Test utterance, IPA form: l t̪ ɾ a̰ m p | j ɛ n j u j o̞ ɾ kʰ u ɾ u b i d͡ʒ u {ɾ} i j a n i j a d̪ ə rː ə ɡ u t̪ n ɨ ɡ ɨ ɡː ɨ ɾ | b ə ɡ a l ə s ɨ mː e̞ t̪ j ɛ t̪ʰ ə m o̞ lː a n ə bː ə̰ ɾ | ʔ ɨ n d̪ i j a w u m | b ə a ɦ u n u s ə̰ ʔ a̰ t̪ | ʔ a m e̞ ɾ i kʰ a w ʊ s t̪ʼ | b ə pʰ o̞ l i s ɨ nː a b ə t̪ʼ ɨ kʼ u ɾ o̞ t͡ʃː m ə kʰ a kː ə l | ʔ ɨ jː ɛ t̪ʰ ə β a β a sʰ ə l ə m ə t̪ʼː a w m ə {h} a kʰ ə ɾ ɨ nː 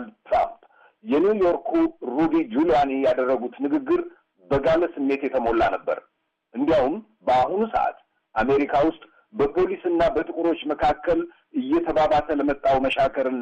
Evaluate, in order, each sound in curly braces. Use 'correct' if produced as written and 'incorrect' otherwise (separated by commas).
incorrect, incorrect